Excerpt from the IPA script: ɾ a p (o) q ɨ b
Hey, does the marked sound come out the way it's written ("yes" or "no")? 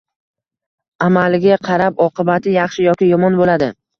no